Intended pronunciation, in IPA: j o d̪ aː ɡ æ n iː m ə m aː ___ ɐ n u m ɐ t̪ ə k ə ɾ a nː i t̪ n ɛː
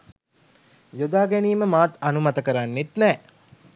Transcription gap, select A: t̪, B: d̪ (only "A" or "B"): A